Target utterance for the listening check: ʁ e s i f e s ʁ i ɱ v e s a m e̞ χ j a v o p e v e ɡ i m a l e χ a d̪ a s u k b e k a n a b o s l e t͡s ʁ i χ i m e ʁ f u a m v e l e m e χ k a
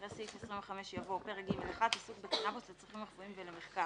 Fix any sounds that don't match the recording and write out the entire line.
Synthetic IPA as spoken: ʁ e s i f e s ʁ i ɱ v e χ a m e̞ ʃ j a v o p e ʁ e ɡ i m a l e χ a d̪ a s u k b e k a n a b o s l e t͡s ʁ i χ i m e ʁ f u i m v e l e m e χ k a